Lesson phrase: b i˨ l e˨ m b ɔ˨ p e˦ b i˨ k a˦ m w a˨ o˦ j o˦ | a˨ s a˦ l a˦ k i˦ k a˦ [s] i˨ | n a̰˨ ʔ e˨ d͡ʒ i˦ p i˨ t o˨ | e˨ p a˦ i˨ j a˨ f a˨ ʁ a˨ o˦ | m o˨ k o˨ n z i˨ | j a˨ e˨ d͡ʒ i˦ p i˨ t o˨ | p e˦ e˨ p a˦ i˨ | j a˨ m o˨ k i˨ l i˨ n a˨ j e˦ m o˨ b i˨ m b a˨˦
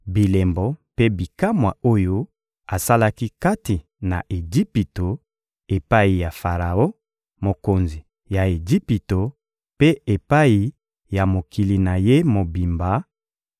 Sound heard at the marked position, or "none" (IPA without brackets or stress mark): t